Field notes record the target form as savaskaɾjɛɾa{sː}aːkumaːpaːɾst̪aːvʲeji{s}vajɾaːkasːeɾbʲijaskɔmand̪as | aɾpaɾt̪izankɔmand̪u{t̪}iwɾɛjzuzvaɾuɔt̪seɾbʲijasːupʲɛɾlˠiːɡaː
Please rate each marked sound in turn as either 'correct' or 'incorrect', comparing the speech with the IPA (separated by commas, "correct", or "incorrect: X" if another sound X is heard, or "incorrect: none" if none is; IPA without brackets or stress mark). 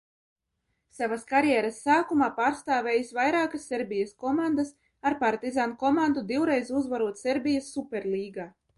correct, correct, incorrect: d̪